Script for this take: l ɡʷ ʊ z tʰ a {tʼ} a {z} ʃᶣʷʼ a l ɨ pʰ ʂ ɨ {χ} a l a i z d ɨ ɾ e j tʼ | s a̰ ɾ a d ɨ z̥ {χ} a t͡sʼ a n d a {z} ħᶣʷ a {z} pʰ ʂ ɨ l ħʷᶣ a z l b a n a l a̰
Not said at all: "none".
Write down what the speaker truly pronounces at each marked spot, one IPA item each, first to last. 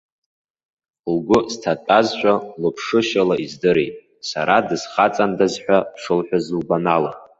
tʼ, z, ʃ, χ, z, none

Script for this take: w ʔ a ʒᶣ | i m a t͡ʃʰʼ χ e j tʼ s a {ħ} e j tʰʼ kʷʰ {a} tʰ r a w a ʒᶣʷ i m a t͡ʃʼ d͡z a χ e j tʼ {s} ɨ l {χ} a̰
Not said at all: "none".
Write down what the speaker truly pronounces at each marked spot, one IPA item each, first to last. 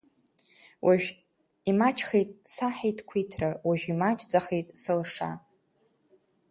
ħ, i, s, ʂ

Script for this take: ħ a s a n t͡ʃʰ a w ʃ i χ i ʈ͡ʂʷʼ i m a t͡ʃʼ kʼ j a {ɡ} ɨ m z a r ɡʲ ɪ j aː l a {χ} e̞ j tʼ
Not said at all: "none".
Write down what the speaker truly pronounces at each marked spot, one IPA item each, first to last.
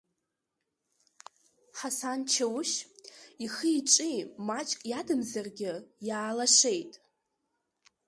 d, ʂ

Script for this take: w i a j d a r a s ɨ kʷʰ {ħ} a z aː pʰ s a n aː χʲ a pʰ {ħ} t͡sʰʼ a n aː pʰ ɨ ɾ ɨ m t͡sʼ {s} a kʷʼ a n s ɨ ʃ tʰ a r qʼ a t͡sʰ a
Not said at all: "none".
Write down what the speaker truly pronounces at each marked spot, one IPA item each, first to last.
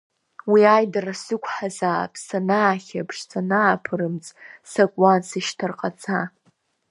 ħ, ʂ, s

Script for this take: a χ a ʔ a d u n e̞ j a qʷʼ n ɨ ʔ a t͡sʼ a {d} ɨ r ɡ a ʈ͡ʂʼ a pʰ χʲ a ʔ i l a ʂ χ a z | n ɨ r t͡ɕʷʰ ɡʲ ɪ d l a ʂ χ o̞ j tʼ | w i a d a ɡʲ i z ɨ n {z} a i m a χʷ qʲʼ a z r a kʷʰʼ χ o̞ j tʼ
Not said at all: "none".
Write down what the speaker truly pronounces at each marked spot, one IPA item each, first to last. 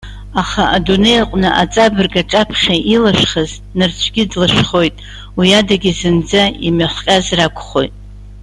b, d͡z

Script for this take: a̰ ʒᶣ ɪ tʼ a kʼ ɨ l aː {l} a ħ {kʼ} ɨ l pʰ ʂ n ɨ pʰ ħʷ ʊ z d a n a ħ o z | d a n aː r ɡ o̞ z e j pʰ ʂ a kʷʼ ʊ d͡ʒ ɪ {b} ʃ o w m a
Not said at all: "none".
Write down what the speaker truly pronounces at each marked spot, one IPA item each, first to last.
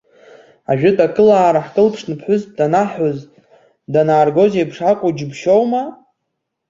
ɾ, kʼ, b

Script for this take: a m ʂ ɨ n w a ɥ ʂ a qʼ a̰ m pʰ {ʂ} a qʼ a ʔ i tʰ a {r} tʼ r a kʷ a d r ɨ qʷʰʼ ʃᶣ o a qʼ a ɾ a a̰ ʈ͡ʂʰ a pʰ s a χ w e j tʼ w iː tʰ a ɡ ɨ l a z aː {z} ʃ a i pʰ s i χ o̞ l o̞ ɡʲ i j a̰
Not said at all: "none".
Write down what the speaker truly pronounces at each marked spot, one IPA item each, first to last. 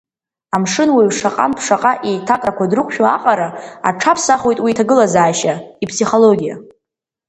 ʂ, none, none

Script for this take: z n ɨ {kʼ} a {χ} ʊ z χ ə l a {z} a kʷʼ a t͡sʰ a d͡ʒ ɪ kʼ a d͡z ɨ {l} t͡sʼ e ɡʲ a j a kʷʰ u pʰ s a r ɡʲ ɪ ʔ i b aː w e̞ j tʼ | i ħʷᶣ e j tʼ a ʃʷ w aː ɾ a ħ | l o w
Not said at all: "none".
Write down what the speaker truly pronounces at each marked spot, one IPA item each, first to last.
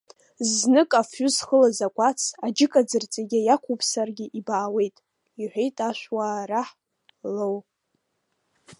kʼ, f, z, r

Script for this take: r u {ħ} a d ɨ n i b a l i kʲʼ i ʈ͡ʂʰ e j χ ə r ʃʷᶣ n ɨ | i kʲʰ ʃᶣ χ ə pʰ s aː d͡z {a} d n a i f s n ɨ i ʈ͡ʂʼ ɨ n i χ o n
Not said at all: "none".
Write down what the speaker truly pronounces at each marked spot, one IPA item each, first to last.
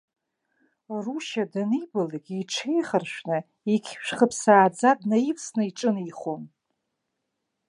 ʃ, a

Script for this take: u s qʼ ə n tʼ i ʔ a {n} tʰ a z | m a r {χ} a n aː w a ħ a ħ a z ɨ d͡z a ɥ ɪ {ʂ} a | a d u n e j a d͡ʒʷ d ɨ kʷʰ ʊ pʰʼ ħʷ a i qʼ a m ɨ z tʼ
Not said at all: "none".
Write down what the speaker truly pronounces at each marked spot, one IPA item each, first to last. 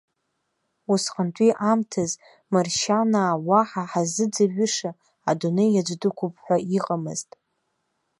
m, ʃ, ʂ

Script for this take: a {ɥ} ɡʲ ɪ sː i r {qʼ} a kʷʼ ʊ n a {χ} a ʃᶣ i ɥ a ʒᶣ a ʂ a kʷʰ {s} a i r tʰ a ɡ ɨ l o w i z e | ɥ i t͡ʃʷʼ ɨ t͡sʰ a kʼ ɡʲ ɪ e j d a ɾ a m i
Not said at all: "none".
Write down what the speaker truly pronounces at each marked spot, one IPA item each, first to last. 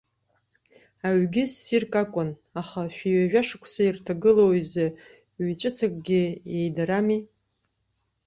ɥ, kʼ, χ, s

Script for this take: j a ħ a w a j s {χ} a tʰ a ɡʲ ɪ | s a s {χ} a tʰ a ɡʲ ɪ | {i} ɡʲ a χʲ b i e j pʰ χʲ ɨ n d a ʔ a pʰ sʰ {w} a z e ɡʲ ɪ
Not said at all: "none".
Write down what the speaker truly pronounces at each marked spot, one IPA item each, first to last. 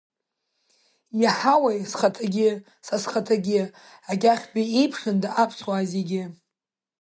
χ, χ, a, w

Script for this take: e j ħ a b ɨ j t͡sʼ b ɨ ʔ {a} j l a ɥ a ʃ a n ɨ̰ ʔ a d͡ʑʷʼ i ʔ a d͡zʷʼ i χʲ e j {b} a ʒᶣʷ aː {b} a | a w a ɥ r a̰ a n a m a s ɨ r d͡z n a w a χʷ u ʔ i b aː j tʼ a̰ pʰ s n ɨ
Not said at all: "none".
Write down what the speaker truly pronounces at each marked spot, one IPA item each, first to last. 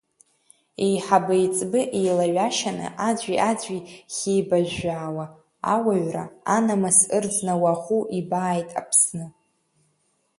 e, b, w

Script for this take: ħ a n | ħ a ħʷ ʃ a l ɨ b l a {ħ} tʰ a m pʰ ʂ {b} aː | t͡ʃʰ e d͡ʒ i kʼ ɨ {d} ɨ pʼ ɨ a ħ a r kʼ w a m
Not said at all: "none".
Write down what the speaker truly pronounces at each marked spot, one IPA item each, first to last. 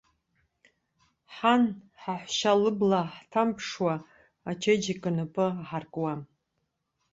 ħ, w, n

